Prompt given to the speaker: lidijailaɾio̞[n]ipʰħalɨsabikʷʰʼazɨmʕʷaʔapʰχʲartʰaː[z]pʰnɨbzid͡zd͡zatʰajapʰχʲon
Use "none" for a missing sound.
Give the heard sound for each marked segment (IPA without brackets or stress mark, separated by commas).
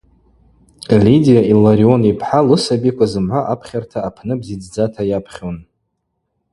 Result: n, none